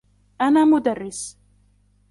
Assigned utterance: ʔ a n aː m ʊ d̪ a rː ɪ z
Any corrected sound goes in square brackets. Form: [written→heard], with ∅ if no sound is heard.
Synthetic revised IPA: ʔ a n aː m ʊ d̪ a rː ɪ [z→s]